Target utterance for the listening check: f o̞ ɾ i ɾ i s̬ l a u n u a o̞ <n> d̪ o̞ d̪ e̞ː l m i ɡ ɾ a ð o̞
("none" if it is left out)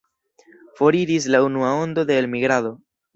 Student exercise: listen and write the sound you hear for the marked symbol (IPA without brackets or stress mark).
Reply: n